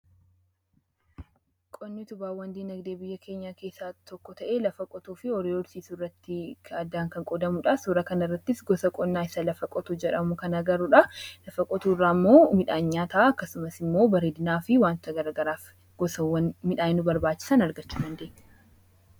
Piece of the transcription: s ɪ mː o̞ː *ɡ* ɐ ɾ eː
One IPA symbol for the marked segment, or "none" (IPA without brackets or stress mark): b